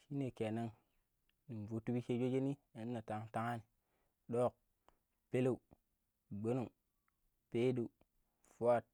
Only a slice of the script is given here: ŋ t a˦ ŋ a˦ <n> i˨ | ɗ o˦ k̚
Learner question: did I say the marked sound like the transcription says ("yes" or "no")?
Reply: yes